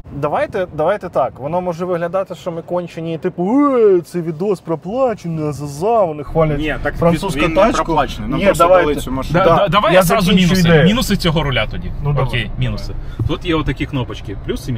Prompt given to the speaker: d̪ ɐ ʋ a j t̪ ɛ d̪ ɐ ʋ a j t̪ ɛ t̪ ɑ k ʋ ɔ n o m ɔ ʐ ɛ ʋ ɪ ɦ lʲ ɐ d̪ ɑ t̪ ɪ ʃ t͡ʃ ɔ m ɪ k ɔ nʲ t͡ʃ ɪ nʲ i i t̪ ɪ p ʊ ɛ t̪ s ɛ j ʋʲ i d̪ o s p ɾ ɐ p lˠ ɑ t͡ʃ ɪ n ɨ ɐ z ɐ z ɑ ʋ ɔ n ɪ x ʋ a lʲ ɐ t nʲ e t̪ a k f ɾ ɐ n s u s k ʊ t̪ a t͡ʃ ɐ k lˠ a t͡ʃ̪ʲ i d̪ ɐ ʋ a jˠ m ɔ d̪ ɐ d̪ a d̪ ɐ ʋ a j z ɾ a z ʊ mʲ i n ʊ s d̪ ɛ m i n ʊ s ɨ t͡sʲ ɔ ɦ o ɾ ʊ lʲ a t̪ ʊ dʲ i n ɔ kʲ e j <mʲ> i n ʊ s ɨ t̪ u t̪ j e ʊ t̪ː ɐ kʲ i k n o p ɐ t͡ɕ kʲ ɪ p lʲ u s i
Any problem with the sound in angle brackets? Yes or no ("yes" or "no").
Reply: no